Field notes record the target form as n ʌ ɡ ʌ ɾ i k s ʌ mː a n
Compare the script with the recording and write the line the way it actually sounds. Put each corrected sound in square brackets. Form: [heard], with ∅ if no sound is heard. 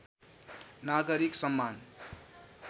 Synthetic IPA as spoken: n [a] ɡ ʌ ɾ i k s ʌ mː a n

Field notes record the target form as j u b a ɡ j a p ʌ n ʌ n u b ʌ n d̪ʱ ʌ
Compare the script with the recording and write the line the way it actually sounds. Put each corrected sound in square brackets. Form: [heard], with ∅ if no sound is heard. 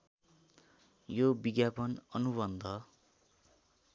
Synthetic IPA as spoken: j [o] b [i] ɡ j a p ʌ n ʌ n u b ʌ n d̪ʱ ʌ

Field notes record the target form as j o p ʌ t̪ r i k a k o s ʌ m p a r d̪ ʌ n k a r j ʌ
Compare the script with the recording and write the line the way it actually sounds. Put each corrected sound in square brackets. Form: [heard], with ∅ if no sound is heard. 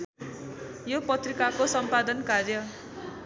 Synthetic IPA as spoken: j o p ʌ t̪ r i k a k o s ʌ m p a [∅] d̪ ʌ n k a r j ʌ

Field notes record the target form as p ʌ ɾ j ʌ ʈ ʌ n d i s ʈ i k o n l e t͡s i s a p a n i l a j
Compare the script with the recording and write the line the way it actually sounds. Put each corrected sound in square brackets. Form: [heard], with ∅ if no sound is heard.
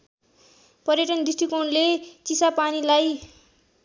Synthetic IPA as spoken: p ʌ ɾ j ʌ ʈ ʌ n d i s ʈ i k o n l e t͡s i s a p a n i l a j

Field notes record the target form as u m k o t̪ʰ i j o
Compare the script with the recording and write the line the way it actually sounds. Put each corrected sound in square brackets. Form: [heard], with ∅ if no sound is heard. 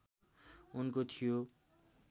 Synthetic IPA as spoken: u [n] k o t̪ʰ i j o

